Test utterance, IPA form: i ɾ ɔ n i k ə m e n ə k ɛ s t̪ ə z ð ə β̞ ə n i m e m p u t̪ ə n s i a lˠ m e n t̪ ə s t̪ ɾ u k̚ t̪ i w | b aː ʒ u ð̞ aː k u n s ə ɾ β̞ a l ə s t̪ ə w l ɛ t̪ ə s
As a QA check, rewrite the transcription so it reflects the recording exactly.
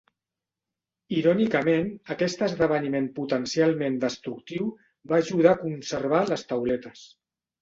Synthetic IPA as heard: i ɾ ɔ n i k ə m e n ə k ɛ s t̪ ə z ð ə β̞ ə n i m e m p u t̪ ə n s i a lˠ m e n d̪ ə s t̪ ɾ u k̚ t̪ i w | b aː ʒ u ð̞ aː k u n s ə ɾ β̞ a l ə s t̪ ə w l ɛ t̪ ə s